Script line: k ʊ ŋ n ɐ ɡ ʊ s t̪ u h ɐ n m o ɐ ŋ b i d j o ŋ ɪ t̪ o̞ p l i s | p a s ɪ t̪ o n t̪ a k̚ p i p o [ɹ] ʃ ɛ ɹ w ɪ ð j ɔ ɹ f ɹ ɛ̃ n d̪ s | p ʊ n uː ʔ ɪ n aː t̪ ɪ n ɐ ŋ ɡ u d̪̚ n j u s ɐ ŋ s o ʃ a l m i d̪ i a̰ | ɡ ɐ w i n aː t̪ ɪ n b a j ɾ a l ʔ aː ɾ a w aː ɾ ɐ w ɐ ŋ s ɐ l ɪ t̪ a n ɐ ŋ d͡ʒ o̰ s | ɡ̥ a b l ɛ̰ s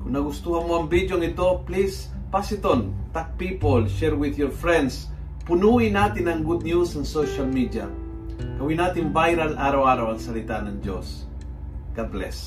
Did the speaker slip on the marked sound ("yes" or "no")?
yes